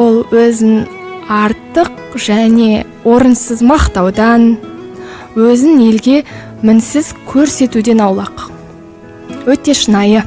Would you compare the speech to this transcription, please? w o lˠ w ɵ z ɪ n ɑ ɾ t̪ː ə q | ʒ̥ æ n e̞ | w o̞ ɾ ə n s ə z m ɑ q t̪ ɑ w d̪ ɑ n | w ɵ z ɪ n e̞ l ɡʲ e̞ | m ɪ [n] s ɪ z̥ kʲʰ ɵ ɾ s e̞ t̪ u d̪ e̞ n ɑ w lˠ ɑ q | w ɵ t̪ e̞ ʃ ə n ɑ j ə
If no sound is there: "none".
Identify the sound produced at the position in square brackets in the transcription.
n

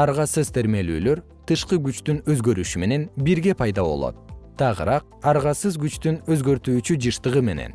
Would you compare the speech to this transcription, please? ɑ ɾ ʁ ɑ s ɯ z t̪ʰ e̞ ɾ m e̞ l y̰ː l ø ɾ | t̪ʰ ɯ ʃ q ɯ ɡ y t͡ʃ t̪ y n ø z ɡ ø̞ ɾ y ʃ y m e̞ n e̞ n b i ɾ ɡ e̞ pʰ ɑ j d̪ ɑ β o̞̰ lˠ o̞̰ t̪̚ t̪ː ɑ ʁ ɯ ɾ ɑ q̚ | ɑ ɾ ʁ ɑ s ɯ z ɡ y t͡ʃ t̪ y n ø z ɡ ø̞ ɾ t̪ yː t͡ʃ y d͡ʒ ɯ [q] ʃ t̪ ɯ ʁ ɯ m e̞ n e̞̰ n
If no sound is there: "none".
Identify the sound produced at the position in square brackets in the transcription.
none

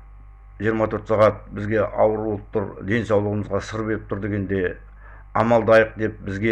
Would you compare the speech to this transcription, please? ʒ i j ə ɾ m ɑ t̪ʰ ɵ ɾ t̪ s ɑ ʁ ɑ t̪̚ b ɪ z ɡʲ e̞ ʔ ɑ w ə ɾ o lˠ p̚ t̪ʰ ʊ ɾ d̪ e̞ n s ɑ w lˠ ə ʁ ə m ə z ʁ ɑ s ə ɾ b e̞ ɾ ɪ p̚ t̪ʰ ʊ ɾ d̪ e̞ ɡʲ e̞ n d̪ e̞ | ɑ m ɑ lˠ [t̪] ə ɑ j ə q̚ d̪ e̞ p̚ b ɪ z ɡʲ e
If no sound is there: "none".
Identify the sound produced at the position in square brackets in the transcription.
d̪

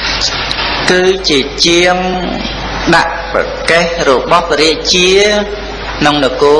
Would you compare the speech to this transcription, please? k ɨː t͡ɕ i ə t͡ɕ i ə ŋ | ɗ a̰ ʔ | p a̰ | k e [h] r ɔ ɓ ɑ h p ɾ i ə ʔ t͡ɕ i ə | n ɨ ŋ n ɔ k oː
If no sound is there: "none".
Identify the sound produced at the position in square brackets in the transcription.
h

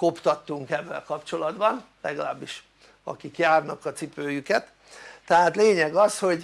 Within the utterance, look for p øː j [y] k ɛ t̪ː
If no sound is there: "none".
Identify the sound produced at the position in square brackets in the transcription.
y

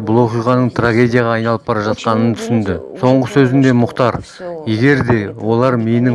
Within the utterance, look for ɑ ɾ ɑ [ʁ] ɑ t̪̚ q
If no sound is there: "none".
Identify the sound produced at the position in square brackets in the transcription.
ʒ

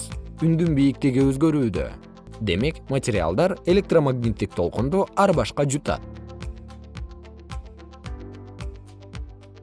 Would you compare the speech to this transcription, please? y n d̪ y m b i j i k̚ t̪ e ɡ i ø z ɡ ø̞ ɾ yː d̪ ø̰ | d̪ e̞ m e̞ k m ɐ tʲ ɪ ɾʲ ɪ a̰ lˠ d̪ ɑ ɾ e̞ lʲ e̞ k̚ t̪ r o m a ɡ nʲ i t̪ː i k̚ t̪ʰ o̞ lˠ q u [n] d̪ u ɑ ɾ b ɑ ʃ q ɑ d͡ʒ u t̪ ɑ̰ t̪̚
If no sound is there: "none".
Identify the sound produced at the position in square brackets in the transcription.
n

